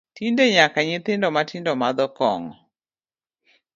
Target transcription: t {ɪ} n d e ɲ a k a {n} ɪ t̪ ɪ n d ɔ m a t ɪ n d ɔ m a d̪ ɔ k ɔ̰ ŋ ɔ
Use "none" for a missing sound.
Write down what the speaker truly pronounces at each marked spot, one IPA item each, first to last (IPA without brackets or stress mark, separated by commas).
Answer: i, ɲ